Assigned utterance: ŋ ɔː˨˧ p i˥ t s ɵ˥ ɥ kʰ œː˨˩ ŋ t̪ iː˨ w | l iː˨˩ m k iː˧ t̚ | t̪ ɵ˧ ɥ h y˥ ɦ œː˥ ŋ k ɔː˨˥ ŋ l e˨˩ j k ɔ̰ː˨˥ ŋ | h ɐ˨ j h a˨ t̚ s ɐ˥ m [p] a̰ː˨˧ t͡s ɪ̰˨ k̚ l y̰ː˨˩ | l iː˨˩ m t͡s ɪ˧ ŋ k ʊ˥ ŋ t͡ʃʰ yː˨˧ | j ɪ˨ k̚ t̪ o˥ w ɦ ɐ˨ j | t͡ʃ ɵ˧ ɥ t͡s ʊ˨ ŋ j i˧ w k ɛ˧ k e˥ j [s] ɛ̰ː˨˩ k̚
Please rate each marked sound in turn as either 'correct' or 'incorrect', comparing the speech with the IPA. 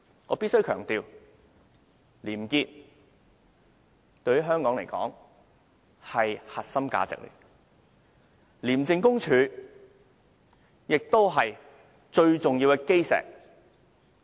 incorrect: k, correct

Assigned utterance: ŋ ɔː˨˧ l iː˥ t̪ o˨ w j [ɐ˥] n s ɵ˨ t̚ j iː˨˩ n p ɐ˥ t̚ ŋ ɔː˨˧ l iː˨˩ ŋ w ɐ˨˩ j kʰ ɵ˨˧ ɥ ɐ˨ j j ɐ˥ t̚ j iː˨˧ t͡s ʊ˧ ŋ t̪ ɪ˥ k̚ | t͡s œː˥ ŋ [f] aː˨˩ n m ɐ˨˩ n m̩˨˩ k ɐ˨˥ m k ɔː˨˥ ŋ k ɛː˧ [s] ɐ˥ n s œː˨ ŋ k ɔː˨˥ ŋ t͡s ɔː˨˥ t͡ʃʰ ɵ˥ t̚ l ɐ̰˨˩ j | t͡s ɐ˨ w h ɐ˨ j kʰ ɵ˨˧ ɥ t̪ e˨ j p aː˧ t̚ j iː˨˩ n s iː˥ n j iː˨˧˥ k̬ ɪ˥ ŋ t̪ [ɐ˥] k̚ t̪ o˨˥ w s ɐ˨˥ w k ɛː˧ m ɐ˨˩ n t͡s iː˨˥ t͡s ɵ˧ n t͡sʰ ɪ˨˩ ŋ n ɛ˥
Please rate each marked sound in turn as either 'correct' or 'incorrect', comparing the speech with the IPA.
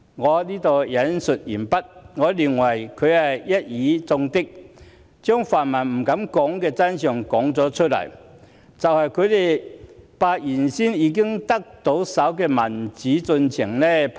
incorrect: ɐ˨˥, correct, incorrect: t͡s, correct

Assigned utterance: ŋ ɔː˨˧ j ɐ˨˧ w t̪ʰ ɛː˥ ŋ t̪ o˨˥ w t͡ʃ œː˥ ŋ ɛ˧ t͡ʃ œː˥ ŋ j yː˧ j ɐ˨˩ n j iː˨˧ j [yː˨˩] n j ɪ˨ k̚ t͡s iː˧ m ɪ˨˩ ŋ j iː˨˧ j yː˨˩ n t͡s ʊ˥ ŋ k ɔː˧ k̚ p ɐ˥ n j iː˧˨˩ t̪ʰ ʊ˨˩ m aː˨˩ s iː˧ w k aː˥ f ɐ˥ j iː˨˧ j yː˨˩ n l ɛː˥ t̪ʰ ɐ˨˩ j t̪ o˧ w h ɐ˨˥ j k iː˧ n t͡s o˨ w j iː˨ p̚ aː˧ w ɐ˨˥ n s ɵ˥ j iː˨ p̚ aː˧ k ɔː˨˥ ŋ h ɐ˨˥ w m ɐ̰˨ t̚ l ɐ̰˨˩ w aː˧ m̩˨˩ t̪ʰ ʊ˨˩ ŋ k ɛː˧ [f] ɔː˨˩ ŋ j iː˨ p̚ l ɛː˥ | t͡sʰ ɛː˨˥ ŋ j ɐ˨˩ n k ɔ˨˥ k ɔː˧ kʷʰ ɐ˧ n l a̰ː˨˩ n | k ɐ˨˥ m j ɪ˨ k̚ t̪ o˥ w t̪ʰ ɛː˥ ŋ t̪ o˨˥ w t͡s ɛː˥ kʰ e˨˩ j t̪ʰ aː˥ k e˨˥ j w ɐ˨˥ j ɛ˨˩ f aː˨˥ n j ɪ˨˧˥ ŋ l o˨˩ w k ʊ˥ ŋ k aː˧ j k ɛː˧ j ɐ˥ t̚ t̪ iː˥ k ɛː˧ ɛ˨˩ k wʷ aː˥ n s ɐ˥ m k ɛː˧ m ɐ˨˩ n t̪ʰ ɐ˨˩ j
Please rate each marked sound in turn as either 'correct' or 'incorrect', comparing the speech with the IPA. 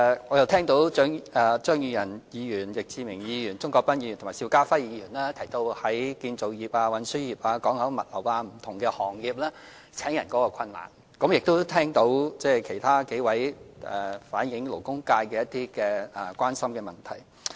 correct, incorrect: h

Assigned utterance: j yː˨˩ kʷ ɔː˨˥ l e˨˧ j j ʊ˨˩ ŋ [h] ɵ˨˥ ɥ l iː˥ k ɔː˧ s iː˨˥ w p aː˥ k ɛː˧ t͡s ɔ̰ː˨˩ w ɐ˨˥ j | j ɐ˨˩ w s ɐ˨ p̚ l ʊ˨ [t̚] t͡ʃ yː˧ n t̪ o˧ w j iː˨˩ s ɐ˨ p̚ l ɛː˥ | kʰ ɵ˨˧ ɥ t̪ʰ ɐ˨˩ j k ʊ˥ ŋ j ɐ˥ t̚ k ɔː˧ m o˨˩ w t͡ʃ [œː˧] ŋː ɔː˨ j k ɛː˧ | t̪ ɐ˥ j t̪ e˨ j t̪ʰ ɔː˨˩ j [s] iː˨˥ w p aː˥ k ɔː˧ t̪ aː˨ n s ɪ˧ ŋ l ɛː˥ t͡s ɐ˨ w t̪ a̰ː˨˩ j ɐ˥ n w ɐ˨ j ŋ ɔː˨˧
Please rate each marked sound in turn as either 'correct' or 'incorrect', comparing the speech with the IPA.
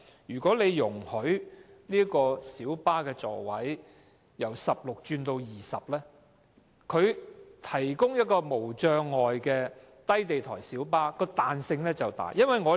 correct, incorrect: k̚, correct, correct

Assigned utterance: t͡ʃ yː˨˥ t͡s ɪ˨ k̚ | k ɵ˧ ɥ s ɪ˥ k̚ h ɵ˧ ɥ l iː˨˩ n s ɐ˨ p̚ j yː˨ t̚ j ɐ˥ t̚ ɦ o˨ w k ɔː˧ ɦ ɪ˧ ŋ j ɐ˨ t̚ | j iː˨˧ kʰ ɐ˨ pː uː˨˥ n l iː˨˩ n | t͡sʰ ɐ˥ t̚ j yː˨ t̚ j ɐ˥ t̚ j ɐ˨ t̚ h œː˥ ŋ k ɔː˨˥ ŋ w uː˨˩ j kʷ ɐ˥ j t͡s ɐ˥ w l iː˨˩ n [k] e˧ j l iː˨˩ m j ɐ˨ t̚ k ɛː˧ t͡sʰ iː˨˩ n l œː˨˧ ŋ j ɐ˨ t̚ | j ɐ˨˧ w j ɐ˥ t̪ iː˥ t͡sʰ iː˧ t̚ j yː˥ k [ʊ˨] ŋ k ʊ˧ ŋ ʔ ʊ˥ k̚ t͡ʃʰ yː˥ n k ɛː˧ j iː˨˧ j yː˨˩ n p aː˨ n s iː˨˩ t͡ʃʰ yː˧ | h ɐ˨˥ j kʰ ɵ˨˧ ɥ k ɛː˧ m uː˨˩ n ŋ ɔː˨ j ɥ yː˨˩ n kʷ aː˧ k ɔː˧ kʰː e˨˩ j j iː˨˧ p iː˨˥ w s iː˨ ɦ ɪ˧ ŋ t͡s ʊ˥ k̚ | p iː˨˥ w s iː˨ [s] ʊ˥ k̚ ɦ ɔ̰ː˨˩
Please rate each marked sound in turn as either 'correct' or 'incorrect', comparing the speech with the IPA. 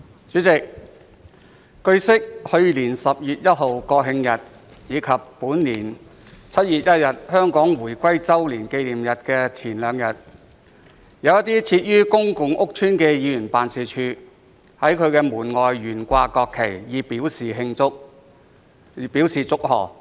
correct, incorrect: ʊ˥, incorrect: t͡s

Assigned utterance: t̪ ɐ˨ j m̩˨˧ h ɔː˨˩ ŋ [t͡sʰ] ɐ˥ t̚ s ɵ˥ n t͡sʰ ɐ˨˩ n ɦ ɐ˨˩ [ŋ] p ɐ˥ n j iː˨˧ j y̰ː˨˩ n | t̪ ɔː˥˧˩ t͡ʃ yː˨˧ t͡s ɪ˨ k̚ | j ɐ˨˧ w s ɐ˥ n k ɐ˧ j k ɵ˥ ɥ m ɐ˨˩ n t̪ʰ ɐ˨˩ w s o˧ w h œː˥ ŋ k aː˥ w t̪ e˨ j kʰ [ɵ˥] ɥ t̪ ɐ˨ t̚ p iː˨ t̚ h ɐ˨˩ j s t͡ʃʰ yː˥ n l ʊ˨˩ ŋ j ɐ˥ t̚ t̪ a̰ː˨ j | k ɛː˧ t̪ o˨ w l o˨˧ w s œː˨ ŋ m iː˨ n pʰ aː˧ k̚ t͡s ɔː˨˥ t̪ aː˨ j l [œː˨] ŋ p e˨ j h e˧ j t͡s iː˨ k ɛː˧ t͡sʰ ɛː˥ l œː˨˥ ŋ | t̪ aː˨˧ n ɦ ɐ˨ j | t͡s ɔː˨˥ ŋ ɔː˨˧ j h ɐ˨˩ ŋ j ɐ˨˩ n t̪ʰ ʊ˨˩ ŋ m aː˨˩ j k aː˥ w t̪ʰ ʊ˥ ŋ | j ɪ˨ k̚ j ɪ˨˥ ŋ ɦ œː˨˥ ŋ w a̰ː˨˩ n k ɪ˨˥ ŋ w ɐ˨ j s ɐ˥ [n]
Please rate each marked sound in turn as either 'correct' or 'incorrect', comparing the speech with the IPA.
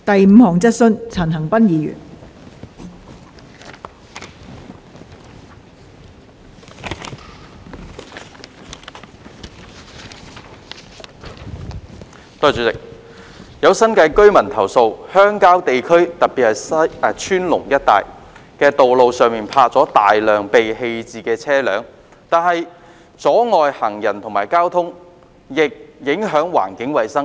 incorrect: t͡s, correct, correct, correct, incorrect: ŋ

